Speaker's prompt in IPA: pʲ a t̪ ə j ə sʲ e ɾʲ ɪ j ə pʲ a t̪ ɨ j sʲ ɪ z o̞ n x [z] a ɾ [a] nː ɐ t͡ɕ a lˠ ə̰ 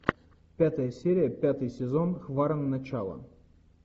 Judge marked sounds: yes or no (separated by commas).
no, no